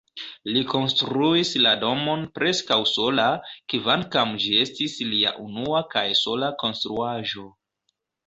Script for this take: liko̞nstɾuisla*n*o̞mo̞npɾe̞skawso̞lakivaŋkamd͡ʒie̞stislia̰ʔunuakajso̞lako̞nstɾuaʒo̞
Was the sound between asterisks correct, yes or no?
no